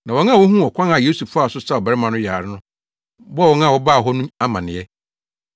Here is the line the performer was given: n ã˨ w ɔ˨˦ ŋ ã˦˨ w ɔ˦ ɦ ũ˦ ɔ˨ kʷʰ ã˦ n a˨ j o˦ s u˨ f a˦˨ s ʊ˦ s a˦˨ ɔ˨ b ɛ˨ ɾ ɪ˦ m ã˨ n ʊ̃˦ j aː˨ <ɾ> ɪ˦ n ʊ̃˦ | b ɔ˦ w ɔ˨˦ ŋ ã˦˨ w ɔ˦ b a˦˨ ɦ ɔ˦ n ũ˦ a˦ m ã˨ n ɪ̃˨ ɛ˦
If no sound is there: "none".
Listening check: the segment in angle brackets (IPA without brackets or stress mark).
ɾ